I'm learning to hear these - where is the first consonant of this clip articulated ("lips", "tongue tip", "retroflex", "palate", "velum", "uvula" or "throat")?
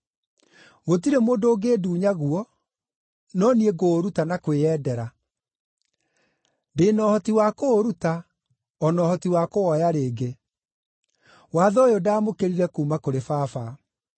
velum